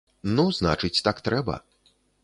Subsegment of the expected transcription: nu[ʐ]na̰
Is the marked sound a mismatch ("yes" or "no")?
yes